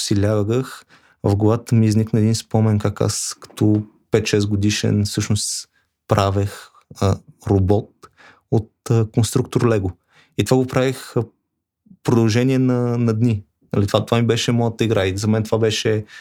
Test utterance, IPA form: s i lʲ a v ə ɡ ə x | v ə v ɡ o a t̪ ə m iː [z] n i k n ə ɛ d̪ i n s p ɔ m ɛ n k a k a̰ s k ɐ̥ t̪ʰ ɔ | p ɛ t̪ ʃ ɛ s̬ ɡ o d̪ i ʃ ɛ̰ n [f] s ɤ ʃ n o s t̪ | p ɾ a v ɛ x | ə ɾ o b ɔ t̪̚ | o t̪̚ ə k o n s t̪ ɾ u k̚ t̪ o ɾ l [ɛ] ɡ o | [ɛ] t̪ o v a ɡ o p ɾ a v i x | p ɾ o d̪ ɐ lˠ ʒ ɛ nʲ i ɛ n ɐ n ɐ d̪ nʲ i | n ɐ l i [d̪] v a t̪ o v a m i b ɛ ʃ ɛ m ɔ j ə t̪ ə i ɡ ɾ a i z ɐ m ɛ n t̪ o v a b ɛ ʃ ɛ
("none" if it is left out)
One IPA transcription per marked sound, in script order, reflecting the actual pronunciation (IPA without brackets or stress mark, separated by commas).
z, f, ɛ, i, t̪